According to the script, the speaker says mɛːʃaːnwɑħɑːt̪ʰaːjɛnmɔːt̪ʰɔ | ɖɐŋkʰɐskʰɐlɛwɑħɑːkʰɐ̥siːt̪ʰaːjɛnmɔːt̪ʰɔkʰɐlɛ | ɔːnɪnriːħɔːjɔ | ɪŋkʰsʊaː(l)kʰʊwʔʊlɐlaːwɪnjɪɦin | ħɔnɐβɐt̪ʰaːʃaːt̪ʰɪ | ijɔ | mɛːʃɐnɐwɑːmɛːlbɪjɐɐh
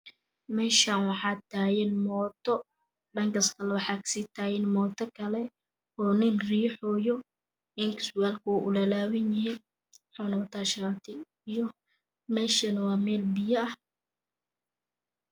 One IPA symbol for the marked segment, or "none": l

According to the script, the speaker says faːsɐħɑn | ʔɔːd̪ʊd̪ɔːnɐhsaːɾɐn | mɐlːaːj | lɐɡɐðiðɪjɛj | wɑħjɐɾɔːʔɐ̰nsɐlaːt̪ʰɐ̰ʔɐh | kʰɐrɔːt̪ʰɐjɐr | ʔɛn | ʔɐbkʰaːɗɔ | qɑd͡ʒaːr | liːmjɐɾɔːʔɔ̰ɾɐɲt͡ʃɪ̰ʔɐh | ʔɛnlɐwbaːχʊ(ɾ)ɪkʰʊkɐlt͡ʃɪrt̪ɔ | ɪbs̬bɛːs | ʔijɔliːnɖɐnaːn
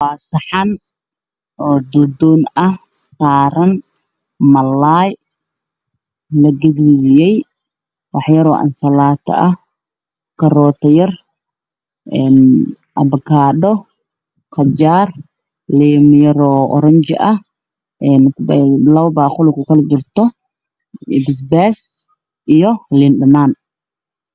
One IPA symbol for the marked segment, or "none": l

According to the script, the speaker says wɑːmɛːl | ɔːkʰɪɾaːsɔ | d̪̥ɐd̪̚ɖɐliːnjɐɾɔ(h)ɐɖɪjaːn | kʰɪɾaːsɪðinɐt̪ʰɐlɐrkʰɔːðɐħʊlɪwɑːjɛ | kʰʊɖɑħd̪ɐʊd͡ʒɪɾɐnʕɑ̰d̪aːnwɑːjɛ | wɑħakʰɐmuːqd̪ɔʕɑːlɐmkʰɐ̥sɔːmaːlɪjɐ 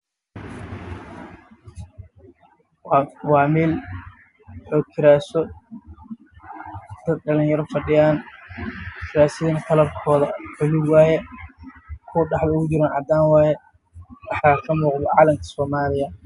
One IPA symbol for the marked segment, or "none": f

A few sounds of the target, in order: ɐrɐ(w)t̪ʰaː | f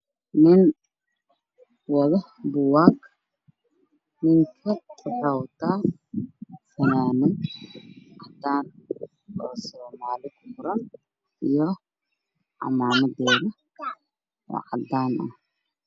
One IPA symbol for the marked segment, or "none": w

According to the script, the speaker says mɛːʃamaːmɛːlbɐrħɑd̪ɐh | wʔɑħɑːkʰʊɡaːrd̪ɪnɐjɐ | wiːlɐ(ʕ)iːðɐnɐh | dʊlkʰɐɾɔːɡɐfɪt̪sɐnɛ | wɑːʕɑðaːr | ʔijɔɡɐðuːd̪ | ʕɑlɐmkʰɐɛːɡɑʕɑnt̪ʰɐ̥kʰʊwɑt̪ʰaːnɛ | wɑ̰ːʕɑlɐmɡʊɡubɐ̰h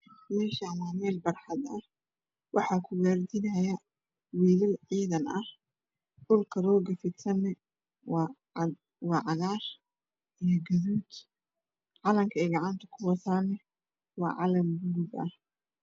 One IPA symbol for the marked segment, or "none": ʕ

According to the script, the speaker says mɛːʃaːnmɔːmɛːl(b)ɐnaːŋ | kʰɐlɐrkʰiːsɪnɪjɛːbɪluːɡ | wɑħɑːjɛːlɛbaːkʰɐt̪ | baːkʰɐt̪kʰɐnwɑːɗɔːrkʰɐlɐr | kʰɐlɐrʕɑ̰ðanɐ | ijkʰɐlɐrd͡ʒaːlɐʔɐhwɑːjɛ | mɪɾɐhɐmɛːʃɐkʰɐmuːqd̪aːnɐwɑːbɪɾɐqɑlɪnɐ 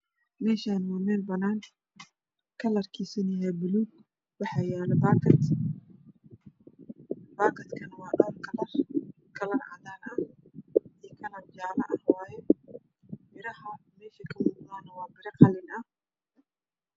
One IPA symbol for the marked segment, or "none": b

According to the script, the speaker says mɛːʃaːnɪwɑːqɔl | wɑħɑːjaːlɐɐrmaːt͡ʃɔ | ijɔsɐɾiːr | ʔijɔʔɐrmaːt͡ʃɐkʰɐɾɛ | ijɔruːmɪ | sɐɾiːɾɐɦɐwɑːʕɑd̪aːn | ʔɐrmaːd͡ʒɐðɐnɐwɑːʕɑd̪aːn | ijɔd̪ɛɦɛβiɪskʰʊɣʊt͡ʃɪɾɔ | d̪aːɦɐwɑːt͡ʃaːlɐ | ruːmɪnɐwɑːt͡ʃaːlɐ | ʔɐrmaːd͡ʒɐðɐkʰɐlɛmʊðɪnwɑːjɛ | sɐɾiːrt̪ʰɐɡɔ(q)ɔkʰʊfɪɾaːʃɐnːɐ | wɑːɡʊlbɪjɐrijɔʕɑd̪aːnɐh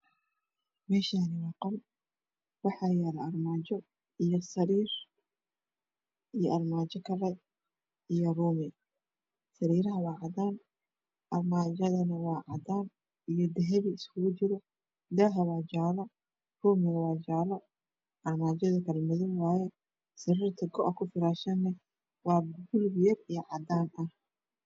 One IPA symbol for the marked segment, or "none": ʔ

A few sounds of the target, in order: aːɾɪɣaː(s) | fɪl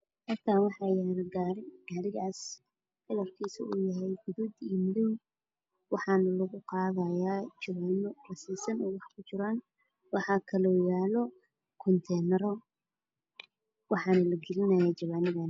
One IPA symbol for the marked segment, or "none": s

